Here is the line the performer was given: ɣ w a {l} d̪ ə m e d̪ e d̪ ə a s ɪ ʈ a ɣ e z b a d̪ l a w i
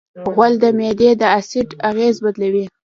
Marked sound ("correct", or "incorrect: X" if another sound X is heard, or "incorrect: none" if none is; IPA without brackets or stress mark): correct